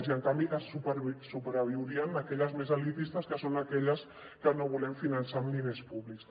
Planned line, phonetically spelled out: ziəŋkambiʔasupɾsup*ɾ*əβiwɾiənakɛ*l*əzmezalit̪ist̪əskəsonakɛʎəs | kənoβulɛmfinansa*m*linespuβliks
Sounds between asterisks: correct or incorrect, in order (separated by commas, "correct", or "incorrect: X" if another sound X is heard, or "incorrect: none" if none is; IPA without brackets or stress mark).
correct, incorrect: ʎ, correct